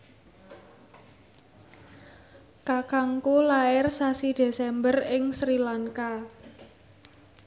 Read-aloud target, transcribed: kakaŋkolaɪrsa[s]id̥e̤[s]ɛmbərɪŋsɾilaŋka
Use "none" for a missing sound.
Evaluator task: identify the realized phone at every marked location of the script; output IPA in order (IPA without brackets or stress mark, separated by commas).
s, s